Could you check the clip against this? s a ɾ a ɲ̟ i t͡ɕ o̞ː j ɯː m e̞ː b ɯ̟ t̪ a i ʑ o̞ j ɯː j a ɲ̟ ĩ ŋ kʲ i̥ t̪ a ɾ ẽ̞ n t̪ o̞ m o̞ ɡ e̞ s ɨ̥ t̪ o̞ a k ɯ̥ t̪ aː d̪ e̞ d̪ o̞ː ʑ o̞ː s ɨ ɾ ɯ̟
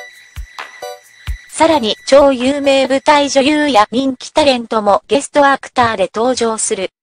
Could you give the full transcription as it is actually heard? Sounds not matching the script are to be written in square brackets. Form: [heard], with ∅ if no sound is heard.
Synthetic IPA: s a ɾ a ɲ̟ i t͡ɕ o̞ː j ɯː m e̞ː b ɯ̟ t̪ a i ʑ o̞ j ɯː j a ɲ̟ ĩ ŋ kʲ i̥ t̪ a ɾ ẽ̞ n t̪ o̞ m o̞ ɡ e̞ s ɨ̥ t̪ o̞ a k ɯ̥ t̪ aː d̪ e̞ [t̪] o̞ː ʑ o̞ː s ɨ ɾ ɯ̟

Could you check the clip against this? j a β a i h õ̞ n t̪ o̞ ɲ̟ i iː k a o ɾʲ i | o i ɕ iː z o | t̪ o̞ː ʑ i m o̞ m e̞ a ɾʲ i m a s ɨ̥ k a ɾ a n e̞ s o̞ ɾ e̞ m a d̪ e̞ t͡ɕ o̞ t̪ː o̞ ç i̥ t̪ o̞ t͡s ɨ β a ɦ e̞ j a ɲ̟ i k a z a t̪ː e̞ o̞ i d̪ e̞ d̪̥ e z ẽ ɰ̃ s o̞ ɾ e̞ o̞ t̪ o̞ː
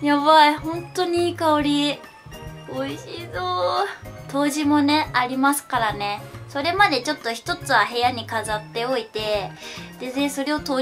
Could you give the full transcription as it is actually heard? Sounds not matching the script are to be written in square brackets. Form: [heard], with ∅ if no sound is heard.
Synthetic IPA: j a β a i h õ̞ n t̪ o̞ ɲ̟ i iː k a o ɾʲ i | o i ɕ iː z o | t̪ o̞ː ʑ i m o̞ [n] e̞ a ɾʲ i m a s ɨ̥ k a ɾ a n e̞ s o̞ ɾ e̞ m a d̪ e̞ t͡ɕ o̞ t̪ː o̞ ç i̥ t̪ o̞ t͡s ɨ β a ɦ e̞ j a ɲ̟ i k a z a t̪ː e̞ o̞ i [t̪] e̞ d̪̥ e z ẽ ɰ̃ s o̞ ɾ e̞ o̞ t̪ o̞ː

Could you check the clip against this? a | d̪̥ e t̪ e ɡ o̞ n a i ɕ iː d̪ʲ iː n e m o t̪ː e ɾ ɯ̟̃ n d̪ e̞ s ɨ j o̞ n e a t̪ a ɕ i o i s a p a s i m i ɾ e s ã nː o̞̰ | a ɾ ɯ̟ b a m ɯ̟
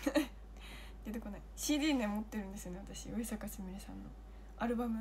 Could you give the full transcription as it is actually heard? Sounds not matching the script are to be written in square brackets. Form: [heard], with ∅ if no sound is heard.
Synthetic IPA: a | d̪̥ e t̪ e [k] o̞ n a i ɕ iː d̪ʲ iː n e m o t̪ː e ɾ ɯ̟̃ n d̪ e̞ s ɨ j o̞ n e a t̪ a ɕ i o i s a [k] a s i m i ɾ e s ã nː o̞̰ | a ɾ ɯ̟ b a m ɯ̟

